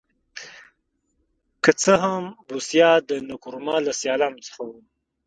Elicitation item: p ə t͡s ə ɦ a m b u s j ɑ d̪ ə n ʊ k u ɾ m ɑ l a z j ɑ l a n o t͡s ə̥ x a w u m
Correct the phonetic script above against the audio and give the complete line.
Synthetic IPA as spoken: k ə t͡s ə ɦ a m b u s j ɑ d̪ ə n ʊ k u ɾ m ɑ l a s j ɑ l a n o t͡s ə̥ x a w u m